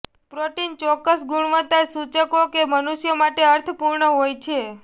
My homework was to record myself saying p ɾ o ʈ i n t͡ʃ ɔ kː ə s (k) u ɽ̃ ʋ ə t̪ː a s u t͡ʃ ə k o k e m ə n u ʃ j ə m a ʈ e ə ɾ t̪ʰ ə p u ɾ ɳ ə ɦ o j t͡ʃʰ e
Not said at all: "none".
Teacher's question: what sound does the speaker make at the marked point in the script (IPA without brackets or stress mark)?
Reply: ɡ